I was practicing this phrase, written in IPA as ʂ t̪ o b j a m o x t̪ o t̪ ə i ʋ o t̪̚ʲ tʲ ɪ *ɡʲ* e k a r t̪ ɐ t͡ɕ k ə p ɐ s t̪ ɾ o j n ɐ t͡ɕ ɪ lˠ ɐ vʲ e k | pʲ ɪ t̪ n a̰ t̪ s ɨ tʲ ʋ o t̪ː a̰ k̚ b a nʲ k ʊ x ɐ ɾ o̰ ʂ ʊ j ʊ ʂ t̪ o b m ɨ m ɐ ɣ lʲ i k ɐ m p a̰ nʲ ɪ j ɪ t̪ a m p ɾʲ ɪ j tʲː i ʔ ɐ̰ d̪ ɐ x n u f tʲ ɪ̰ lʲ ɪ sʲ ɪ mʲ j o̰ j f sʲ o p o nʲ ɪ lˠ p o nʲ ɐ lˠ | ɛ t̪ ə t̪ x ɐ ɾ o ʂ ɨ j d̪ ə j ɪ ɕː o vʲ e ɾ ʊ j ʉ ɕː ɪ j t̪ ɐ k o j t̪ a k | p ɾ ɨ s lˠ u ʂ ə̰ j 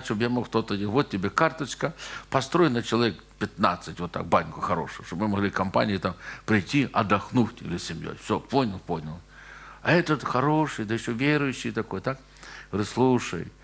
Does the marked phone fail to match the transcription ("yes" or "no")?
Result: yes